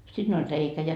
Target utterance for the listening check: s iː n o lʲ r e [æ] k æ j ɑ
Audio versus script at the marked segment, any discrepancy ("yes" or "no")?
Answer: yes